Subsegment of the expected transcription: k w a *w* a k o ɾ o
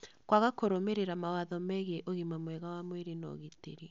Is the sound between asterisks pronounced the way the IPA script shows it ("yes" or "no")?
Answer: no